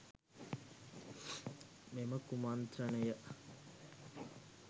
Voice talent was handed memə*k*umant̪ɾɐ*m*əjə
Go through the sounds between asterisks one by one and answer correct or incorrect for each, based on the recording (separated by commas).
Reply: correct, incorrect